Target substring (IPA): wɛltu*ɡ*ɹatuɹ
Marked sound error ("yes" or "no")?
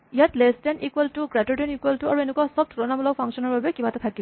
no